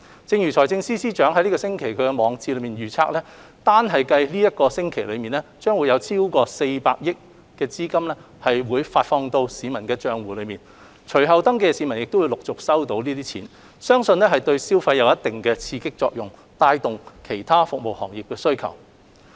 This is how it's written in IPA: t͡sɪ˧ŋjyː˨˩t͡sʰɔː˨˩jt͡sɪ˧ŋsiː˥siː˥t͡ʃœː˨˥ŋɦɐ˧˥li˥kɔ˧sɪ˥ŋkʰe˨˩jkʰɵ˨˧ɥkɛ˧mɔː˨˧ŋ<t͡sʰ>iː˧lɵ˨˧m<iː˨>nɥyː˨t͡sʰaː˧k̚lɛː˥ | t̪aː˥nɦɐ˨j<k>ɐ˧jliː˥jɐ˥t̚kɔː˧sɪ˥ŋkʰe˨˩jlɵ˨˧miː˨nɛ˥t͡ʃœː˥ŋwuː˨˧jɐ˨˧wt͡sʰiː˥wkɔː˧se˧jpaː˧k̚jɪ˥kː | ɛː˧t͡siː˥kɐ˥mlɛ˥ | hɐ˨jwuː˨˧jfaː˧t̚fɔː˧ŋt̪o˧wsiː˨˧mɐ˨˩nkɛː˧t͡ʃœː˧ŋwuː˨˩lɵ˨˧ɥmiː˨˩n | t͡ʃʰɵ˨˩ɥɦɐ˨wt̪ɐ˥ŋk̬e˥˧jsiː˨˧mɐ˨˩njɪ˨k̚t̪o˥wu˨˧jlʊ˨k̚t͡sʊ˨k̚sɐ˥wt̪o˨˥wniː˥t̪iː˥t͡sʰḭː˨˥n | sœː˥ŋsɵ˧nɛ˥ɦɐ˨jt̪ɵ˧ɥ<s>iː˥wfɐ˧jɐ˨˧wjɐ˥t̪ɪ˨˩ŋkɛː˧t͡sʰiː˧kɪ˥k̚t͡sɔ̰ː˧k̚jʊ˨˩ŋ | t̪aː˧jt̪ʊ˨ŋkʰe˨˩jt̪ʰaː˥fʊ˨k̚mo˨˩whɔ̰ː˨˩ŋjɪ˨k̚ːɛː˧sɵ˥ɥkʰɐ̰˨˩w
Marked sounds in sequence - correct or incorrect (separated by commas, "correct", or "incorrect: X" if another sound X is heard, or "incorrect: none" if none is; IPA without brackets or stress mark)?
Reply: incorrect: t͡s, correct, correct, correct